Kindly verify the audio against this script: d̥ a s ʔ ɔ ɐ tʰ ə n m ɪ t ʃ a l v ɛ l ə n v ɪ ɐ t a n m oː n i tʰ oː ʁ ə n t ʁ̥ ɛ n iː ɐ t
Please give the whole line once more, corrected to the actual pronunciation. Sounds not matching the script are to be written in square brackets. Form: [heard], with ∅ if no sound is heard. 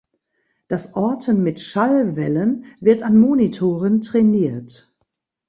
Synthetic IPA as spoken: d̥ a s ʔ ɔ ɐ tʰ ə n m ɪ t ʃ a l v ɛ l ə n v ɪ ɐ t a n m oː n i tʰ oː ʁ ə n t ʁ̥ ɛ n iː ɐ t